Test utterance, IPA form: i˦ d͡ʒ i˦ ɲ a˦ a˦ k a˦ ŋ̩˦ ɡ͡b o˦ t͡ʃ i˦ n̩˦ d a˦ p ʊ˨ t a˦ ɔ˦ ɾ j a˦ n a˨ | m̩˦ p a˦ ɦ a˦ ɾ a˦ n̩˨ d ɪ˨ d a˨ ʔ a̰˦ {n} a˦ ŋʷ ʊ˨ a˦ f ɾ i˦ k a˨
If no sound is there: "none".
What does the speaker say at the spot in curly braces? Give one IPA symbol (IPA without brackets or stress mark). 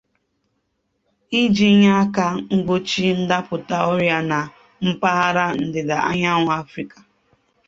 ɲ